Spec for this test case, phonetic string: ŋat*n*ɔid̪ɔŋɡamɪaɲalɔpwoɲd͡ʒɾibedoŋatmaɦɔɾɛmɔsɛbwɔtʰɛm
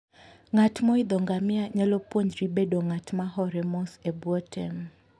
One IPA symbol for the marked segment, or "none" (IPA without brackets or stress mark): m